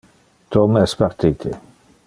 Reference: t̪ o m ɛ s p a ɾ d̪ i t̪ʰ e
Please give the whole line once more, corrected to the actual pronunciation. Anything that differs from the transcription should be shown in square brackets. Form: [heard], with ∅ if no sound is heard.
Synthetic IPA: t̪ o m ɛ s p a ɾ [t̪] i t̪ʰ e